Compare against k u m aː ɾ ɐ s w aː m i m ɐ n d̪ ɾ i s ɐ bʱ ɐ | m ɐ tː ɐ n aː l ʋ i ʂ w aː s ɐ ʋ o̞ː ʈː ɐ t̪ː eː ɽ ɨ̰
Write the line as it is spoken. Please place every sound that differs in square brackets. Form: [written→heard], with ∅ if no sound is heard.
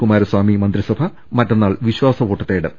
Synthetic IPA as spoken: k u m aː ɾ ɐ s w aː m i m ɐ n d̪ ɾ i s ɐ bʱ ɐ | m ɐ tː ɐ [n→nː] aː [l→ɭ] ʋ i [ʂ→ɕ] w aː s ɐ ʋ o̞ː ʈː ɐ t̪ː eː ɽ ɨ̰

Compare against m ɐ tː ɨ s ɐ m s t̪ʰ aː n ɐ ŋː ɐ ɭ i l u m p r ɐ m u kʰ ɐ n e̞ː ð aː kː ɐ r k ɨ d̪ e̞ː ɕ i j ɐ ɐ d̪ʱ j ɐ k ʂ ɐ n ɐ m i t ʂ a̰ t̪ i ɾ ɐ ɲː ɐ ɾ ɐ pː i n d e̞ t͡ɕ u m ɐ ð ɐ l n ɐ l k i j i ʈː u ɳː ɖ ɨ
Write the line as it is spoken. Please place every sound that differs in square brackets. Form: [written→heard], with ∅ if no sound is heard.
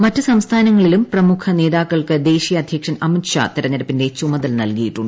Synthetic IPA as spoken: m ɐ tː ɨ s ɐ m s t̪ʰ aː n ɐ ŋː ɐ ɭ i l u m p r ɐ m u kʰ ɐ n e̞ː ð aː kː ɐ [r→ɭ] k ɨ d̪ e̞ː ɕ i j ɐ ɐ d̪ʱ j ɐ k ʂ ɐ n ɐ m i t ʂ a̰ t̪ i ɾ ɐ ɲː ɐ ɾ ɐ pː i n d e̞ t͡ɕ u m ɐ ð ɐ l n ɐ l k i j i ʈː u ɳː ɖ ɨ

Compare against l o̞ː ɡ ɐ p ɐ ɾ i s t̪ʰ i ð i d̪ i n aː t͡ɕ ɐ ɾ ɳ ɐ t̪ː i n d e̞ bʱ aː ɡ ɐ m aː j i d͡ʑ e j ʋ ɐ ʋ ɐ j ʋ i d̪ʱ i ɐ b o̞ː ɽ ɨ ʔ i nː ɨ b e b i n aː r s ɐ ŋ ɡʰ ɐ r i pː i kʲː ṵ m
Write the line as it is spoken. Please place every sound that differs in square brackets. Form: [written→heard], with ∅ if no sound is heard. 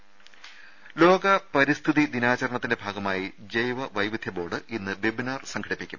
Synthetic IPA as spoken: l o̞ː ɡ ɐ p ɐ ɾ i s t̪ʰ i ð i d̪ i n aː t͡ɕ ɐ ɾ ɳ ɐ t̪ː i n d e̞ bʱ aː ɡ ɐ m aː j i d͡ʑ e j ʋ ɐ ʋ ɐ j ʋ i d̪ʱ [i→j] ɐ b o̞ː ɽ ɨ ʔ i nː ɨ b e b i n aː r s ɐ ŋ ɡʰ ɐ [r→ɽ] i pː i kʲː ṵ m

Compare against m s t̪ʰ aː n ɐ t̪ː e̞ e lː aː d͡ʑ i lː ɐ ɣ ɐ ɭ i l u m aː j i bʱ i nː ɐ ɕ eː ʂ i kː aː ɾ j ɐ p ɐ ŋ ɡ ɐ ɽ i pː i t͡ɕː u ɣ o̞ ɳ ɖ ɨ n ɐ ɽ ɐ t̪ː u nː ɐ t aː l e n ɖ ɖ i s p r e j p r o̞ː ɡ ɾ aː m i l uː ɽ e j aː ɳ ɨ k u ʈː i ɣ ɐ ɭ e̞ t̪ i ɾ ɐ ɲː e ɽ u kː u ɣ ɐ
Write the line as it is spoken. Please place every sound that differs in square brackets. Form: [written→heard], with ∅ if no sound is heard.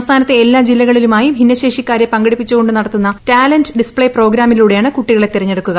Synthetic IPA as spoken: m s t̪ʰ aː n ɐ t̪ː e̞ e lː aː d͡ʑ i lː ɐ ɣ ɐ ɭ i l u m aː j i bʱ i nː ɐ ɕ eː ʂ i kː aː ɾ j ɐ p ɐ ŋ ɡ ɐ ɽ i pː i t͡ɕː u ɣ o̞ ɳ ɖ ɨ n ɐ ɽ ɐ t̪ː u nː ɐ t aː l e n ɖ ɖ i s p [r→ɭ] e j p r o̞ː ɡ ɾ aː m i l uː ɽ e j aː ɳ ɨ k u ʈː i ɣ ɐ ɭ e̞ t̪ i ɾ ɐ ɲː e ɽ u kː u ɣ ɐ

